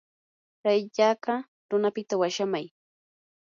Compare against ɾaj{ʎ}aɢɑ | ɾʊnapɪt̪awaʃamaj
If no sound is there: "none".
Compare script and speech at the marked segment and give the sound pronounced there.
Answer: ʎ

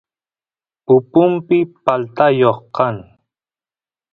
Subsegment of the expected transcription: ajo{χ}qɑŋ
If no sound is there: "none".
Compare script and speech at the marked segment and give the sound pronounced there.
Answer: χ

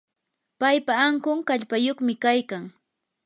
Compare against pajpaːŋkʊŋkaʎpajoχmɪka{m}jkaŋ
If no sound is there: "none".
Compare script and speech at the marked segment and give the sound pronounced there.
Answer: none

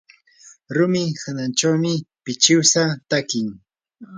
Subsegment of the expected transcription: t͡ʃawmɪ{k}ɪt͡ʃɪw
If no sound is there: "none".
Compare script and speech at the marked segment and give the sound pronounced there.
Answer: p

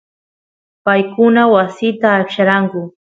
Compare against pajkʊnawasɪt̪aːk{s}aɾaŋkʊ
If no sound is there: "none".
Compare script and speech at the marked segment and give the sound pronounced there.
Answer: ʃ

